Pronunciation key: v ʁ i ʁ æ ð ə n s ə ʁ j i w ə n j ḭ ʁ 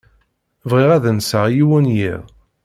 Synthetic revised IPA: v ʁ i ʁ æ ð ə n s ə ʁ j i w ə n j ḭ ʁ